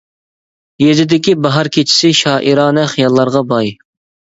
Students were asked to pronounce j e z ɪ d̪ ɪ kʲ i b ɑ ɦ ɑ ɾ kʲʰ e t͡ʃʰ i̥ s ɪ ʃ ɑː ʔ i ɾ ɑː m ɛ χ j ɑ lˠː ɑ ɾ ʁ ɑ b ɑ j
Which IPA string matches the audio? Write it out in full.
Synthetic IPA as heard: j e z ɪ d̪ ɪ kʲ i b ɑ ɦ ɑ ɾ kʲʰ e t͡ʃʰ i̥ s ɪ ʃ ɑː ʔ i ɾ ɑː n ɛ χ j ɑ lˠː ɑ ɾ ʁ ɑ b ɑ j

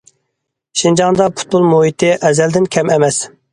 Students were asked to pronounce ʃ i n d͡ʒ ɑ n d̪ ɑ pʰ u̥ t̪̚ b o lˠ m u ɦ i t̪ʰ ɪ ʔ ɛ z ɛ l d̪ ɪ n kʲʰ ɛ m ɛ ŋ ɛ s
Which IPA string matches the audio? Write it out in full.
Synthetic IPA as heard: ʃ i n d͡ʒ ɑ ŋ d̪ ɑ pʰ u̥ t̪̚ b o lˠ m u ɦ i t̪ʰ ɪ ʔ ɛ z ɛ l d̪ ɪ n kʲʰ ɛ m ɛ m ɛ s

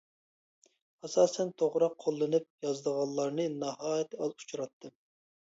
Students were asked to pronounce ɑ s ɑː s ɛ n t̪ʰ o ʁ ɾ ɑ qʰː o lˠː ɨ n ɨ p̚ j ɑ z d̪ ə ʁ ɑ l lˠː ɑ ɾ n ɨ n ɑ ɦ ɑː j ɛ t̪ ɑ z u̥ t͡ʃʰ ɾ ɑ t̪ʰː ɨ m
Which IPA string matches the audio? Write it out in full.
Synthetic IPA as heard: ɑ s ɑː s ɛ n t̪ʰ o ʁ ɾ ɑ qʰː o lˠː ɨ n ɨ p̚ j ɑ z d̪ ə ʁ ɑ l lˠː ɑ ɾ n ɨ n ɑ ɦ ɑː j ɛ t̪ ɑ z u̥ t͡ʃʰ ɾ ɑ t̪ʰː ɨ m

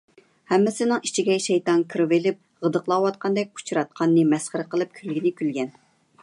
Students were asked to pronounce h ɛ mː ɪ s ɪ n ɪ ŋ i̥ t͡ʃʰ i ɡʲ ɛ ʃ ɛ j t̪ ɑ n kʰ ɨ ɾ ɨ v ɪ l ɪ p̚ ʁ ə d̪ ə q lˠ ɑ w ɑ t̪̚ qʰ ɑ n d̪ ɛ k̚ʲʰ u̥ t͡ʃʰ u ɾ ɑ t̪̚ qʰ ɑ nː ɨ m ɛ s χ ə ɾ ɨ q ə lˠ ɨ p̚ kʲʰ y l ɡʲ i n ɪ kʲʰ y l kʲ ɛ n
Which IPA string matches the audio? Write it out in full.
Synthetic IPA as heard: h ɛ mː ɪ s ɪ n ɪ ŋ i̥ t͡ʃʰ i ɡʲ ɛ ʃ ɛ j t̪ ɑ n kʰ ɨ ɾ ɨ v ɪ l ɪ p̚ ʁ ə d̪ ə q lˠ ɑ w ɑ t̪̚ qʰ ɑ n d̪ ɛ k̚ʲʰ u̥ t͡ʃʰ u ɾ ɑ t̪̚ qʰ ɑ nː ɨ m ɛ s χ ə ɾ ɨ q ə lˠ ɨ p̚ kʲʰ y l ɡʲ i n ɪ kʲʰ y l ɡʲ ɛ n

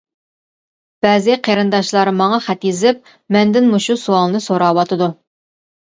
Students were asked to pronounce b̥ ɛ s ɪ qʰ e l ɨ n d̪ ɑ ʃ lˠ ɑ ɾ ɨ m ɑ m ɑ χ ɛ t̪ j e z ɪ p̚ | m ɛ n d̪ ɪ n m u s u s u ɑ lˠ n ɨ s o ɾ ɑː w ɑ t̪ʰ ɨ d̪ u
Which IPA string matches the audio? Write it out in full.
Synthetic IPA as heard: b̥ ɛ z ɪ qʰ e ɾ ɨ n d̪ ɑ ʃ lˠ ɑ ɾ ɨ m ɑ ŋ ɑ χ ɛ t̪ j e z ɪ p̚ | m ɛ n d̪ ɪ n m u ʃ u s u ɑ lˠ n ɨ s o ɾ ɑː w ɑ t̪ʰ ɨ d̪ u

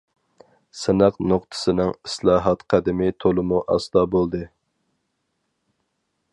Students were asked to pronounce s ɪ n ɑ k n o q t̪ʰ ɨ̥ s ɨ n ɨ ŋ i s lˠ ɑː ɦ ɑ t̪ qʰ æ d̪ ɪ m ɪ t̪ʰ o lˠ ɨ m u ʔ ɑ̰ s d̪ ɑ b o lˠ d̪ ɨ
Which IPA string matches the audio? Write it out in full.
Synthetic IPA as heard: s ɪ n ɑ q n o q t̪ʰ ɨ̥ s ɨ n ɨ ŋ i s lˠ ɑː ɦ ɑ t̪ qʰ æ d̪ ɪ m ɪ t̪ʰ o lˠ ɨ m u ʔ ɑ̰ s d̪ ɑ b o lˠ d̪ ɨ

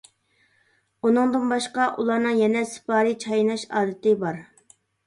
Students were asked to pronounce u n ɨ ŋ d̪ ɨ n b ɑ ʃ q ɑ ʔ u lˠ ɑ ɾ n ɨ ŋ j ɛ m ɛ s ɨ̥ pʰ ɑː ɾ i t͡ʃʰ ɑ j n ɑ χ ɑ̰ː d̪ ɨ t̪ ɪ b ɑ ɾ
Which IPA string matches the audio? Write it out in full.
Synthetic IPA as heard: u n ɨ ŋ d̪ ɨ n b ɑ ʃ q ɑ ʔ u lˠ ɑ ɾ n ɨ ŋ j ɛ n ɛ s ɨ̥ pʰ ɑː ɾ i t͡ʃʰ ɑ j n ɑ ʃ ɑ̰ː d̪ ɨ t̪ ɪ b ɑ ɾ

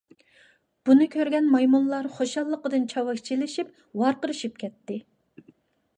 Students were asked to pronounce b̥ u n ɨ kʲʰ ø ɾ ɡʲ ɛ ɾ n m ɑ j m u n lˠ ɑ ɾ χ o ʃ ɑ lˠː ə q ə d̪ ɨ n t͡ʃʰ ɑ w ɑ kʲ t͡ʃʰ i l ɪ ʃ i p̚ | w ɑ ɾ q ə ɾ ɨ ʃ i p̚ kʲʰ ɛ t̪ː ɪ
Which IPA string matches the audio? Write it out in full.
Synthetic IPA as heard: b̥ u n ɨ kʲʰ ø ɾ ɡʲ ɛ n m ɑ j m u n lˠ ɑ ɾ χ o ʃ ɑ lˠː ə q ə d̪ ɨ n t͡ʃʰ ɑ w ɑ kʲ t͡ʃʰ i l ɪ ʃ i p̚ | w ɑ ɾ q ə ɾ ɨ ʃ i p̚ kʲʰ ɛ t̪ː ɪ

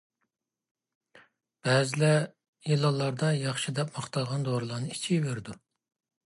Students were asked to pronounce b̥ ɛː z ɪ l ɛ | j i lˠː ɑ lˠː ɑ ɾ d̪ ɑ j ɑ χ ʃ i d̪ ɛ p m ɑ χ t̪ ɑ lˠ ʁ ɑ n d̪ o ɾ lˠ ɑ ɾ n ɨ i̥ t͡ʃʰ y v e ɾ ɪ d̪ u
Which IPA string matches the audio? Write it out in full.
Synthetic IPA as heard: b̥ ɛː z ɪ l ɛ | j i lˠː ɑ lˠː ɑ ɾ d̪ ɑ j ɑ χ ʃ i d̪ ɛ p m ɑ χ t̪ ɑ lˠ ʁ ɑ n d̪ o ɾ lˠ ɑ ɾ n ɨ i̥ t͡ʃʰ i v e ɾ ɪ d̪ u

